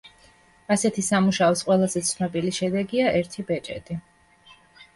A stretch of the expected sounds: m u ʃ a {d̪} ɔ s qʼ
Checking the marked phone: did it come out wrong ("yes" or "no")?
yes